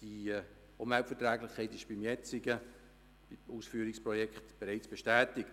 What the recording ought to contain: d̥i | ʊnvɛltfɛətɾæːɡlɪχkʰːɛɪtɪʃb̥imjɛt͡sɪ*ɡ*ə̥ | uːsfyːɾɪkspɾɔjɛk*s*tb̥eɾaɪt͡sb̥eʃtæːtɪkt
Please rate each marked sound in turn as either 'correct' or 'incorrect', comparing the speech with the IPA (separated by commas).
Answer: correct, incorrect